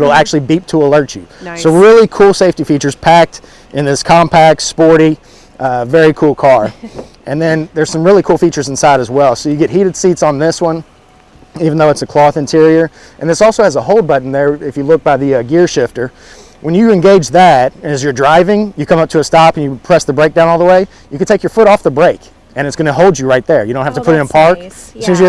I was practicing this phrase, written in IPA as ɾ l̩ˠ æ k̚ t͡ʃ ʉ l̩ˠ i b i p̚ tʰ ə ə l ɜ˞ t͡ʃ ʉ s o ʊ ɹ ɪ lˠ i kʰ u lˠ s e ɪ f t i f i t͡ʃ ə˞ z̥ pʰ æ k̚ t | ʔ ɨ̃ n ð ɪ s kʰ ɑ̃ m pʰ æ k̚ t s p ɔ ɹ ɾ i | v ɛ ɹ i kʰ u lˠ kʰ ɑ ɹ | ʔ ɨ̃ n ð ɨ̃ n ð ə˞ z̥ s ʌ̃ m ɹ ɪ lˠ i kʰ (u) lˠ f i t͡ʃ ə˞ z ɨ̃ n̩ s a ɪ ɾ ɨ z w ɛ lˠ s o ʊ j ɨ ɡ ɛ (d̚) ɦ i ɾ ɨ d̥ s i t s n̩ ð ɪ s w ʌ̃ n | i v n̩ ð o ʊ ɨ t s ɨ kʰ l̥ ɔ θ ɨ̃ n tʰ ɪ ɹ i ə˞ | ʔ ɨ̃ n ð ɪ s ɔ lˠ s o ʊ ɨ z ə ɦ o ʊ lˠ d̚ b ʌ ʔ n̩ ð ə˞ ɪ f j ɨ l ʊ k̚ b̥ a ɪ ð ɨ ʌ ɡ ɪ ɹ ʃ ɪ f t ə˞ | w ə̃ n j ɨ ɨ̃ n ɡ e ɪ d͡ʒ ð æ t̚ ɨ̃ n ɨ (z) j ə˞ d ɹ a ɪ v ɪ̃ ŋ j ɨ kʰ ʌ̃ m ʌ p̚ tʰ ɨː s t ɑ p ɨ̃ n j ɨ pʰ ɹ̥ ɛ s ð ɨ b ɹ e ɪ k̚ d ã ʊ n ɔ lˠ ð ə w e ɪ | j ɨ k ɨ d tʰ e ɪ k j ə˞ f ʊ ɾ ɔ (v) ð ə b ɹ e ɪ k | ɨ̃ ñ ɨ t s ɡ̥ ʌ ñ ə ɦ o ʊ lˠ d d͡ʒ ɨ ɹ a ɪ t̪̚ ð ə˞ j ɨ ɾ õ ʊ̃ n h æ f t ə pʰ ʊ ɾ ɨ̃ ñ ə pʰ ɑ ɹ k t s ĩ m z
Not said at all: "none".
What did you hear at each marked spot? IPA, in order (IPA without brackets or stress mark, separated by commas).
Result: u, t̚, z, f